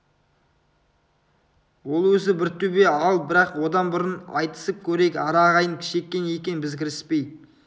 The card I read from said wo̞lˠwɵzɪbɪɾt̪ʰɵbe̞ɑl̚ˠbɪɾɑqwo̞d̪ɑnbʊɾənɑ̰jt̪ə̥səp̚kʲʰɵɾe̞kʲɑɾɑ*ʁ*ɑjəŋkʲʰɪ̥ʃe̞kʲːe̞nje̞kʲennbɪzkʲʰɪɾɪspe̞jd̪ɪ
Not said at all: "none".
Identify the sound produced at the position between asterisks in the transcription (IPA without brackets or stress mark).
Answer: ʁ